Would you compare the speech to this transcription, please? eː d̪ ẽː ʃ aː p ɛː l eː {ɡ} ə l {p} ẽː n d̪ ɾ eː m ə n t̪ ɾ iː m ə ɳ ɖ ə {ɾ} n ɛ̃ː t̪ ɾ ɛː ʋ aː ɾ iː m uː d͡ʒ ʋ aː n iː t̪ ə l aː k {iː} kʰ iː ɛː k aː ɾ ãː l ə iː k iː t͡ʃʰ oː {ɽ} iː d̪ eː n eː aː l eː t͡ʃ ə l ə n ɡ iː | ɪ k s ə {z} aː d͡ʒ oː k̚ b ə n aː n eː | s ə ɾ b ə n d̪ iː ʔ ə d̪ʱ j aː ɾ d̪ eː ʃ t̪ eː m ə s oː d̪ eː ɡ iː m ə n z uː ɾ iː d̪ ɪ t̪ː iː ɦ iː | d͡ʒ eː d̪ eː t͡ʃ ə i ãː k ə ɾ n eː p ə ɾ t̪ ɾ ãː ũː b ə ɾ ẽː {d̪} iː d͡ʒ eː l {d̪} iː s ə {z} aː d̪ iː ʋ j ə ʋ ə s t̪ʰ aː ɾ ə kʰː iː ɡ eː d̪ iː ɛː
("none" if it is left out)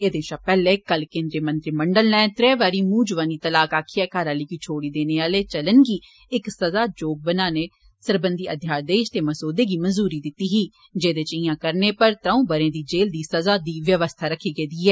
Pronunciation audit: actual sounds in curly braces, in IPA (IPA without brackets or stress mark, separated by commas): k, k, l, aː, ɽ, z, d̪, d̪, z